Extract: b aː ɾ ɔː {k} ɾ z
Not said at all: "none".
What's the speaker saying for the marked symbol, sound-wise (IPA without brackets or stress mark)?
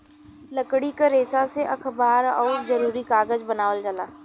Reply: none